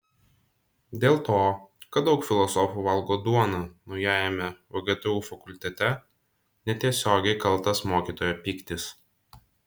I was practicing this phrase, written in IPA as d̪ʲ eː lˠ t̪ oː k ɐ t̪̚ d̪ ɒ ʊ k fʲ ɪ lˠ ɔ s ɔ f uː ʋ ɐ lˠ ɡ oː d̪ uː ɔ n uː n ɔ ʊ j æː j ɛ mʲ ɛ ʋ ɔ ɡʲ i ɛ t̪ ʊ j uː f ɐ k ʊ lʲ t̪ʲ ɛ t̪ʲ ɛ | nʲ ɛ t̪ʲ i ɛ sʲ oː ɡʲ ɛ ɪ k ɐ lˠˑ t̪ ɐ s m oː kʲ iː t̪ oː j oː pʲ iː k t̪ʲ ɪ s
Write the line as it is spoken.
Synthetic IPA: d̪ʲ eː lˠ t̪ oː k ɐ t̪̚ d̪ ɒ ʊ k fʲ ɪ lˠ ɔ s ɔ f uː ʋ ɐ lˠ ɡ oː d̪ u ɔ n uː n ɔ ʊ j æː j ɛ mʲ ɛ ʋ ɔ ɡʲ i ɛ t̪ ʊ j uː f ɐ k ʊ lʲ t̪ʲ ɛ t̪ʲ ɛ | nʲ ɛ t̪ʲ i ɛ sʲ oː ɡʲ ɛ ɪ k ɐ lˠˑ t̪ ɐ s m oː kʲ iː t̪ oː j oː pʲ iː k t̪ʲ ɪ s